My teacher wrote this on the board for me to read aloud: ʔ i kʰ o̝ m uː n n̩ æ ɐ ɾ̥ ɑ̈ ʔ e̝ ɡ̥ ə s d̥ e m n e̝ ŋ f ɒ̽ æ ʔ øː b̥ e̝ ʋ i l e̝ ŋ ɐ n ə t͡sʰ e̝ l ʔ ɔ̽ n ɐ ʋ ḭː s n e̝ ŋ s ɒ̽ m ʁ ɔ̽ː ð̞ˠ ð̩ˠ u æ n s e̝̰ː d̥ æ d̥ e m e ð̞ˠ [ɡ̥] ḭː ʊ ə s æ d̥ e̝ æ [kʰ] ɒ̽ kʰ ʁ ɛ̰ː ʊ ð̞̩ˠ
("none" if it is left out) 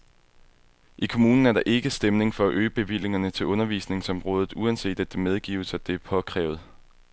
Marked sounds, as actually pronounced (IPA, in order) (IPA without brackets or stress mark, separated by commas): ɡ̥, pʰ